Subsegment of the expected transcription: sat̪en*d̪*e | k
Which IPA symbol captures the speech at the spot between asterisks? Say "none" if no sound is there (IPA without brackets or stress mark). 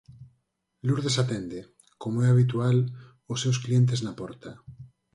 d̪